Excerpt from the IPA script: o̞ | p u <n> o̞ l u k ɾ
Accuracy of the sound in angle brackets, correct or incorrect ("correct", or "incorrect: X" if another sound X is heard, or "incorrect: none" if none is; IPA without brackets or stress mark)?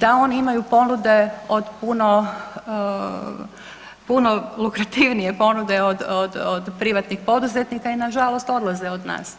correct